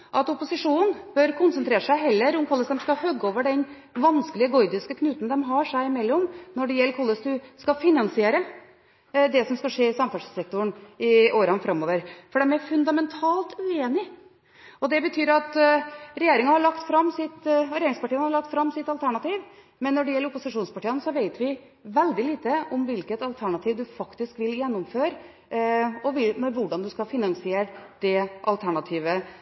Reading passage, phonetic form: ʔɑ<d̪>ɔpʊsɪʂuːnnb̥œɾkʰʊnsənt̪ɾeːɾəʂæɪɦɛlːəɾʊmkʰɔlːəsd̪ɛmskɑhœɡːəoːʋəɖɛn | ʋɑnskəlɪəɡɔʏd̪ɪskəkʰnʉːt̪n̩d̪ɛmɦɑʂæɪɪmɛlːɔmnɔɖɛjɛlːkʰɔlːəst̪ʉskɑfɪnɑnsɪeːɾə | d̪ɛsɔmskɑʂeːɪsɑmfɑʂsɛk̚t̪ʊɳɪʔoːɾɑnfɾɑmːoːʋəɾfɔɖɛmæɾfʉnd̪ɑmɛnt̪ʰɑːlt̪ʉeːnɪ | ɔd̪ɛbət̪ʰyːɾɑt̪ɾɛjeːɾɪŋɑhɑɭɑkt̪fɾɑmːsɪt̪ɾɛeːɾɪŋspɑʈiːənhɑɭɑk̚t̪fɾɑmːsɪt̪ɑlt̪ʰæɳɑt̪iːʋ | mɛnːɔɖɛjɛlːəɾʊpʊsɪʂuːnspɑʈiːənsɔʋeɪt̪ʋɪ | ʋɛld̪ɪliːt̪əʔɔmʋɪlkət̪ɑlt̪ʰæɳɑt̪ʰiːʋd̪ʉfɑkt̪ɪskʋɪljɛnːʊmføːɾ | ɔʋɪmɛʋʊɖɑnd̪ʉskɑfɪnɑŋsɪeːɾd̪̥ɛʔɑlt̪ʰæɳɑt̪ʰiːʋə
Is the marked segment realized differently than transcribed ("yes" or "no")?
yes